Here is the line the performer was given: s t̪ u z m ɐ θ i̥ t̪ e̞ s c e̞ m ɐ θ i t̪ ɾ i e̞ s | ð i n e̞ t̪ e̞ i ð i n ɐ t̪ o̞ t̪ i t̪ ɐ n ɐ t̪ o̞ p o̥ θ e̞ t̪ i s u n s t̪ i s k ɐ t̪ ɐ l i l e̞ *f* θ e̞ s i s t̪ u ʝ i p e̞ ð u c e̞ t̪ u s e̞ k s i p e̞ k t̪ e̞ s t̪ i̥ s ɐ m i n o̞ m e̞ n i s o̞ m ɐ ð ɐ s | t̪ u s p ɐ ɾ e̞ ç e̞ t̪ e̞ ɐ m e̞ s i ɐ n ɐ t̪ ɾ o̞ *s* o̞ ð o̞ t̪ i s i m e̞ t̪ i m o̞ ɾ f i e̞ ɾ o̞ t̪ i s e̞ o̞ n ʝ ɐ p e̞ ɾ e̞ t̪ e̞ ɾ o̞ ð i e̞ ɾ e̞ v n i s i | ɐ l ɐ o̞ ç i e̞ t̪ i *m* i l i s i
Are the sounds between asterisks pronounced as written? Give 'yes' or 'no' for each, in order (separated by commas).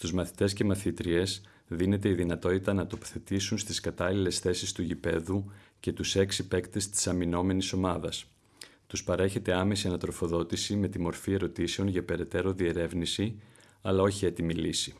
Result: no, no, yes